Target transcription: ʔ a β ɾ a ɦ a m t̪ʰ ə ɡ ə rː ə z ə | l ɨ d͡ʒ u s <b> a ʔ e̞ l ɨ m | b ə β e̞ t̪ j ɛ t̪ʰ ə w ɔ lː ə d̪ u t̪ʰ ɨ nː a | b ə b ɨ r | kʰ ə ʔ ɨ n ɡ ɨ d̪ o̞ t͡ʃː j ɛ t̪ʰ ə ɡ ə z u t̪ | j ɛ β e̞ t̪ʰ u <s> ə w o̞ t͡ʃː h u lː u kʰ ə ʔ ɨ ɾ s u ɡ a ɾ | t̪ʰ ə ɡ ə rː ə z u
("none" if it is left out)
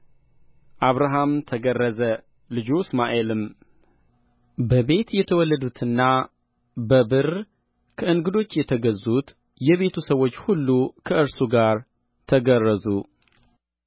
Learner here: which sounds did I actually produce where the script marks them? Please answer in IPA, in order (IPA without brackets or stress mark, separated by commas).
m, s